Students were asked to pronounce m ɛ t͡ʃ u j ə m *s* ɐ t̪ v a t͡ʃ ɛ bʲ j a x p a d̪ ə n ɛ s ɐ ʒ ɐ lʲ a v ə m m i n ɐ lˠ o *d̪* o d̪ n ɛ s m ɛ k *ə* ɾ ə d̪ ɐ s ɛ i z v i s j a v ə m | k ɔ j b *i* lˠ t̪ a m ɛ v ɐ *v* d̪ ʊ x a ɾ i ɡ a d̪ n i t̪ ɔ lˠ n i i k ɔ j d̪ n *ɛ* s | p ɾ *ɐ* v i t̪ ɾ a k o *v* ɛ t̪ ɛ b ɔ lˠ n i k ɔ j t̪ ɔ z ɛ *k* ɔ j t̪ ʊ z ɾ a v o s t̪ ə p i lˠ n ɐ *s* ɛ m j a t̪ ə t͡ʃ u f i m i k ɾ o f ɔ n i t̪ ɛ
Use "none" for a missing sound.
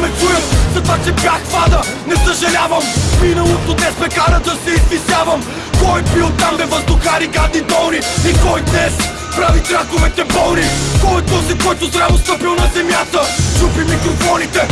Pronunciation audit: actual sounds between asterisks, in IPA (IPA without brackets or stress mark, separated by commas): z, t̪, a, i, z, ɛ, a, v, k, z